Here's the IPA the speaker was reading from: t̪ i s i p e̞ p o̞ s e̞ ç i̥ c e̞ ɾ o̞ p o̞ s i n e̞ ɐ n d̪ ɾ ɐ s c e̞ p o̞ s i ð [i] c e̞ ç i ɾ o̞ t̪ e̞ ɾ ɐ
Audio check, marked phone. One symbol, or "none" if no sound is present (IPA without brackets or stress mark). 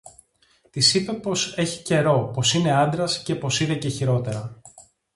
e